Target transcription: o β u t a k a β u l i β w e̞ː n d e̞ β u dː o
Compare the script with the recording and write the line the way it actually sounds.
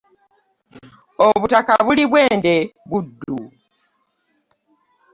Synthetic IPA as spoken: o β u t a k a β u l i β w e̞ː n d e̞ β u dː u